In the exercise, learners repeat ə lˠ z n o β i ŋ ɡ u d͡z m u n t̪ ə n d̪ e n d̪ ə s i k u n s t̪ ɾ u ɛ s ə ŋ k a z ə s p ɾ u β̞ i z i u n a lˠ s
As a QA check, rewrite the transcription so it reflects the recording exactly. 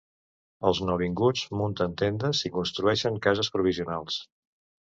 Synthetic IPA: ə lˠ z n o β i ŋ ɡ u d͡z m u n t̪ ə n t̪ e n d̪ ə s i k u n s t̪ ɾ u ɛ ʃ ə ŋ k a z ə s p ɾ u β̞ i z i u n a lˠ s